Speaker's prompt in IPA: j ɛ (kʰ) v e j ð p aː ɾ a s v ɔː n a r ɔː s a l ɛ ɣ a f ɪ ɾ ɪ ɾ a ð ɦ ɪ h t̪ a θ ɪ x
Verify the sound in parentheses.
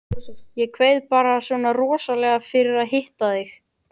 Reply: correct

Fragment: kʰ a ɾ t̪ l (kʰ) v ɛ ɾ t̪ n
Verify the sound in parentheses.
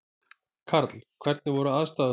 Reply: correct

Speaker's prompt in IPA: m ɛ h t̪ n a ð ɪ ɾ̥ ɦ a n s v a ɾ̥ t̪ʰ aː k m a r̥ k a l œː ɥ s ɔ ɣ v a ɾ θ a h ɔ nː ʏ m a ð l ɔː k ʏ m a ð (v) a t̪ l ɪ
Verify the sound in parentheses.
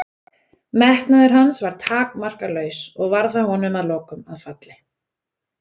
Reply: incorrect: f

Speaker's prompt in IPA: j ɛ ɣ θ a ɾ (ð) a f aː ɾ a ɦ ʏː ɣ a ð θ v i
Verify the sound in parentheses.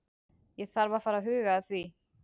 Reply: incorrect: v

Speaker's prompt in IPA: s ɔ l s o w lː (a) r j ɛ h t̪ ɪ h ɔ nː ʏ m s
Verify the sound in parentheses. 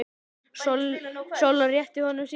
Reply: correct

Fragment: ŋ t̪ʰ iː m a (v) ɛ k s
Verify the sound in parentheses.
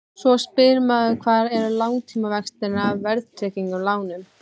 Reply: correct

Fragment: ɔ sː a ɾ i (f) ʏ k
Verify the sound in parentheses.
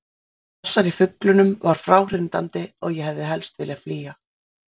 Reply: correct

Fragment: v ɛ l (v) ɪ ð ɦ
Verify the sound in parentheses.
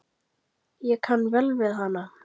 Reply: correct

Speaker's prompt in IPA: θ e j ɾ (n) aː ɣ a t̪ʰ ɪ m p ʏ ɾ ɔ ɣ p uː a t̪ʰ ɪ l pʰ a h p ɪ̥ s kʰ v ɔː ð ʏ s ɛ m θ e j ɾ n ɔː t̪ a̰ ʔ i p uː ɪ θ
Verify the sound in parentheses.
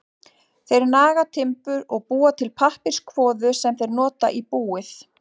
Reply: correct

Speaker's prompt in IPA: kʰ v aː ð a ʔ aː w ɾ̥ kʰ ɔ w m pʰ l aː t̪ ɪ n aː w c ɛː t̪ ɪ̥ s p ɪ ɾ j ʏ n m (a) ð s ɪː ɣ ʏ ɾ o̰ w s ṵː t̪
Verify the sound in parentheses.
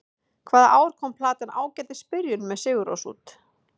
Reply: incorrect: ɛ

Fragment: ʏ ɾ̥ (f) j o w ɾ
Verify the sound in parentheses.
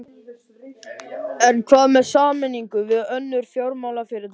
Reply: correct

